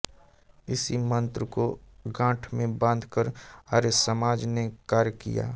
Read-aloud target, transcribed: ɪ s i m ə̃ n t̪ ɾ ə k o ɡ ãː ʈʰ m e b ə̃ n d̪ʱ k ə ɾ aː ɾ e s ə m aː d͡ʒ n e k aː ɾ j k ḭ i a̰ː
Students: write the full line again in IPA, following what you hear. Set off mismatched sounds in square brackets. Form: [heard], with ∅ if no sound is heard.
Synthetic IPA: ɪ s i m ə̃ n t̪ ɾ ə k o ɡ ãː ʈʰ m [ẽ] b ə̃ n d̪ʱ k ə ɾ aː ɾ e s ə m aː d͡ʒ n e k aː ɾ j k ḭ [j] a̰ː